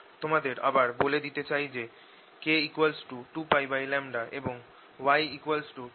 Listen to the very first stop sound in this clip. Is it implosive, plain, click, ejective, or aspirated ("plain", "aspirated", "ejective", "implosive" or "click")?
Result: plain